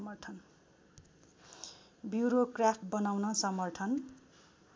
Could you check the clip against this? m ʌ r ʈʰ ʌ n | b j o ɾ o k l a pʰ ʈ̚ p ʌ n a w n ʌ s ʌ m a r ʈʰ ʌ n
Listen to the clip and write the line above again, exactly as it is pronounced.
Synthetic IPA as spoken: m ʌ r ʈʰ ʌ n | b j u ɾ o k r a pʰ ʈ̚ b ʌ n a w n ʌ s ʌ m ʌ r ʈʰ ʌ n